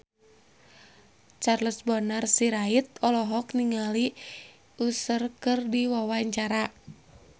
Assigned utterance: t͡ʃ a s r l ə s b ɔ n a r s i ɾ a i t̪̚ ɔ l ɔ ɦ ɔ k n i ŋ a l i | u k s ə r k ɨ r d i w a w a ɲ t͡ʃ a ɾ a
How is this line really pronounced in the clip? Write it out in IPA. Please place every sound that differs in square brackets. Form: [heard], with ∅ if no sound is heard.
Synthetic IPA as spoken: t͡ʃ a [∅] r l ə s b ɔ n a r s i ɾ a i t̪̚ ɔ l ɔ ɦ ɔ k n i ŋ a l i | u [∅] s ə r k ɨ r d i w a w a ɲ t͡ʃ a ɾ a